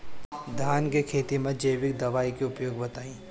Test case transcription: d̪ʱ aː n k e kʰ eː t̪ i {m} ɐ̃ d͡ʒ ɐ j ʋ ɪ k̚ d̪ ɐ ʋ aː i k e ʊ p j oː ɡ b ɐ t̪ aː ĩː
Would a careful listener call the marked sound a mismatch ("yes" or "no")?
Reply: no